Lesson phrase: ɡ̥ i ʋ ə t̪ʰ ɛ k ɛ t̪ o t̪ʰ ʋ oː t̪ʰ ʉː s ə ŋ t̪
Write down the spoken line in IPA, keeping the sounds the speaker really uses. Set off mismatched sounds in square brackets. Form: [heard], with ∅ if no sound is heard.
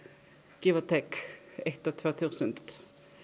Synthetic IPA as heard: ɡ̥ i ʋ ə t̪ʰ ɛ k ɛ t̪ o t̪ʰ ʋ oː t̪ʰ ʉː s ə [n] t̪